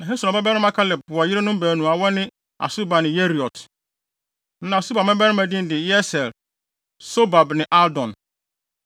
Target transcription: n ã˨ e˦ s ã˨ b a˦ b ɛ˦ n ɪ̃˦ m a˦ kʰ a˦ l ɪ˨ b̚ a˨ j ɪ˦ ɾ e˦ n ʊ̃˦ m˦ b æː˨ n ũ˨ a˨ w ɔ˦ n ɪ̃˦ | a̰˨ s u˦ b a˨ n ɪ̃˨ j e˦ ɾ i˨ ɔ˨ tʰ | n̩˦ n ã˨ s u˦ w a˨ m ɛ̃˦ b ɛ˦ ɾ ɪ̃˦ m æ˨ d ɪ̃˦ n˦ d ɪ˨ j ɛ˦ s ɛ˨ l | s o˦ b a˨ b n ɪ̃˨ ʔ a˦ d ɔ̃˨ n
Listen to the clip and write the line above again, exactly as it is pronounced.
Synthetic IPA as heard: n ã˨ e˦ s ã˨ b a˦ b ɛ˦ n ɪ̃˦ m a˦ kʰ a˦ l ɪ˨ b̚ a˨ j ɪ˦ ɾ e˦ n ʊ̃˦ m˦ b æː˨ n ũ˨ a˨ w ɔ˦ n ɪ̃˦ | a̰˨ s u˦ b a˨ n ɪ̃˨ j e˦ ɾ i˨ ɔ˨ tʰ | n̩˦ n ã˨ s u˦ b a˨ m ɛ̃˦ b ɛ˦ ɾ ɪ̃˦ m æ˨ d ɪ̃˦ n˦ d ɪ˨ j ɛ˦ s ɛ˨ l | s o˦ b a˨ b n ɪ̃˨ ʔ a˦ d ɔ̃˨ n